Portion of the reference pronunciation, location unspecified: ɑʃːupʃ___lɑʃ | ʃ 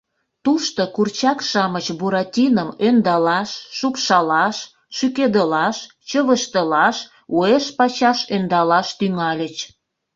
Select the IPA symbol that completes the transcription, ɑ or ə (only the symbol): ɑ